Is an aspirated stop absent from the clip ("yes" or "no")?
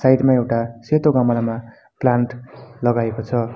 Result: no